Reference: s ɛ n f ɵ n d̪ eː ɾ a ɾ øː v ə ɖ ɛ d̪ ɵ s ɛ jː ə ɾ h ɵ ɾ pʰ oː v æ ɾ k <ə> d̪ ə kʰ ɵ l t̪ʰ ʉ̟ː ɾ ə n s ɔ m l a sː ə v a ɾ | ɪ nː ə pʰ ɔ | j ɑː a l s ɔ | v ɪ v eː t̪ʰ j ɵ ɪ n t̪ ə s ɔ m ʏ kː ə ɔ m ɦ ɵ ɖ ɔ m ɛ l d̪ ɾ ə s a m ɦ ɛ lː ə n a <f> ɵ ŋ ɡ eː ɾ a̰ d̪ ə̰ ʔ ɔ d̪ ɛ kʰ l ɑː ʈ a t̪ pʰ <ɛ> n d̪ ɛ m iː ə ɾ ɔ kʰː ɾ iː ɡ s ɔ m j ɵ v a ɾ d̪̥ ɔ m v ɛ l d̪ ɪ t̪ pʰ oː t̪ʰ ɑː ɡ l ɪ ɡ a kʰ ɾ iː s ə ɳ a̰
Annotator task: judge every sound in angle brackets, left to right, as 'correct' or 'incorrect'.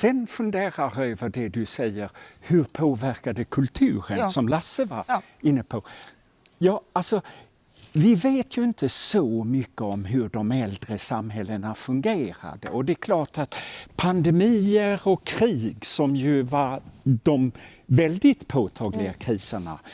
incorrect: a, correct, incorrect: a

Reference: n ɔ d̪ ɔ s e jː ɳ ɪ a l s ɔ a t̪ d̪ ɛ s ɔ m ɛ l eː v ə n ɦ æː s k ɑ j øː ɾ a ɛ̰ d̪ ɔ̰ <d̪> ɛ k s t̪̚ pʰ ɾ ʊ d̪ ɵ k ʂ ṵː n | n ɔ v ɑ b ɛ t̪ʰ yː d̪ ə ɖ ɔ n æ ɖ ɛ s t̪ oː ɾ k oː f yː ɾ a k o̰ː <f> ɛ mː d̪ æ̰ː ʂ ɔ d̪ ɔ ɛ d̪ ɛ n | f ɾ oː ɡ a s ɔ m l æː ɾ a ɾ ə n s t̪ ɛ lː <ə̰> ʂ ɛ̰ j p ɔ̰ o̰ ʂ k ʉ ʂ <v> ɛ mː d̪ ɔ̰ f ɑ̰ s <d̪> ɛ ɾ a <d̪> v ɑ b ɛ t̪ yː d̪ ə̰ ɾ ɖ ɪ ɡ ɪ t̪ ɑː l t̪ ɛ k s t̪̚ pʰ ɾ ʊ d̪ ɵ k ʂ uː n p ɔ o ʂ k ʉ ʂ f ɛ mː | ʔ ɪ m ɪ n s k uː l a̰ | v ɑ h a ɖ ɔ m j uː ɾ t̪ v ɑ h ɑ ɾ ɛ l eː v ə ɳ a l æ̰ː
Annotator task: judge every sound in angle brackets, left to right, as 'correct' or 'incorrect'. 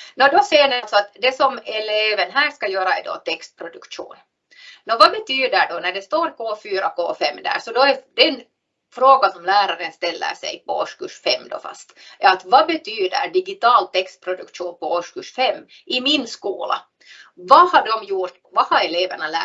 incorrect: t̪, correct, correct, incorrect: f, incorrect: t̪, incorrect: t̪

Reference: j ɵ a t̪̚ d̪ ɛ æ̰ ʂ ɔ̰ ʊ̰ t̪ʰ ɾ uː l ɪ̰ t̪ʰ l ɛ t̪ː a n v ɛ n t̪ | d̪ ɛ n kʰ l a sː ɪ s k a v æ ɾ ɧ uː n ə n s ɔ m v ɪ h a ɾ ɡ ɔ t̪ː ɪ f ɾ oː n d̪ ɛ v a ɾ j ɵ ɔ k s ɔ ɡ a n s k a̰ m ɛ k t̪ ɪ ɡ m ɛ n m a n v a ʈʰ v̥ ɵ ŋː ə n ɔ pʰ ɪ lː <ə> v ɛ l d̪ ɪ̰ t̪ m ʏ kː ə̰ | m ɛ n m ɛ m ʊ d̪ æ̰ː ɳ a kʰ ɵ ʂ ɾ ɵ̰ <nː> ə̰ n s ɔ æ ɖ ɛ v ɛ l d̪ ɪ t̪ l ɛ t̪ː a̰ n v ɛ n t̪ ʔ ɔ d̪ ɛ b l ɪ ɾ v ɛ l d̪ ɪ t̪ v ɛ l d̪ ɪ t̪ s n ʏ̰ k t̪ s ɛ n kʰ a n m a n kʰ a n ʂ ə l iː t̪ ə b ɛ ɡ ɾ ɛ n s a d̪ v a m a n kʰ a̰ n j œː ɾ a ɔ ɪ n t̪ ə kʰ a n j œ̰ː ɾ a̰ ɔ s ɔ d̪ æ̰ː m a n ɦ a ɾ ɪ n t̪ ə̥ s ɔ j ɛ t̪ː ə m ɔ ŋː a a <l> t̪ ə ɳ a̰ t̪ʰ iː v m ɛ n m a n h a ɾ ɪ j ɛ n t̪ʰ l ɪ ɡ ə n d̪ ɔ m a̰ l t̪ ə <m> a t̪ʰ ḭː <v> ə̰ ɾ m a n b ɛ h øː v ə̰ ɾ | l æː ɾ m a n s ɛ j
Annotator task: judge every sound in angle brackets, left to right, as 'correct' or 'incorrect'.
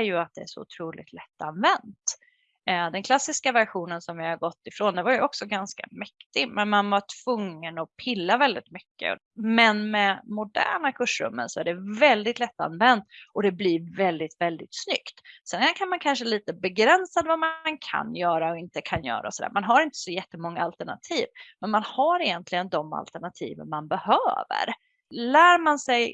incorrect: a, incorrect: mː, correct, incorrect: ɳ, correct

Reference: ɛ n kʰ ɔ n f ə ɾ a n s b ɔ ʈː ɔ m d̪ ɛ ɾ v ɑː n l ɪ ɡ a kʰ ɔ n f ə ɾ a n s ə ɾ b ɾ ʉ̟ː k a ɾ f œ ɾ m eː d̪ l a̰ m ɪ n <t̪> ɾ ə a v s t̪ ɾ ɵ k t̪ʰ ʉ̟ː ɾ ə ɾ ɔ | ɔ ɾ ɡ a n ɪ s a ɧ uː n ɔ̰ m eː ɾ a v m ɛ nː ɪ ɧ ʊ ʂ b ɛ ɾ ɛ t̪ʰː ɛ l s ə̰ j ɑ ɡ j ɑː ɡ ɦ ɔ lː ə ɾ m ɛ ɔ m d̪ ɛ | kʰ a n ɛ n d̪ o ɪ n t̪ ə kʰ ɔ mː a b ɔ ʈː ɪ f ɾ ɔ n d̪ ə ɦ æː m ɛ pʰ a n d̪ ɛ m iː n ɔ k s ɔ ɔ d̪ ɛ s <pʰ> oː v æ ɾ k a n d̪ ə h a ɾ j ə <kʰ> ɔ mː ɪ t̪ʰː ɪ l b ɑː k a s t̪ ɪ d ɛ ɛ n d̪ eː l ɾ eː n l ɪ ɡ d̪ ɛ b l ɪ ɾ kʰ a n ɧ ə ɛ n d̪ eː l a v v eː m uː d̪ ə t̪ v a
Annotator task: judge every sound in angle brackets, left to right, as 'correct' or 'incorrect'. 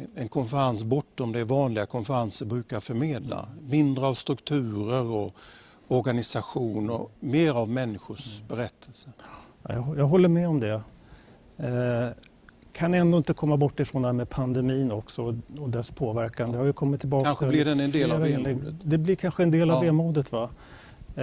incorrect: d̪, correct, correct

